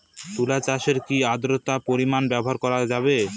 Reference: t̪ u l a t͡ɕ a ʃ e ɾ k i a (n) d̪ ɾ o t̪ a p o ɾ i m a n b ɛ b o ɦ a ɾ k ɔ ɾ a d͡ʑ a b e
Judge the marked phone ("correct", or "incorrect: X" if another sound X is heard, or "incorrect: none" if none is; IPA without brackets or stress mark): incorrect: none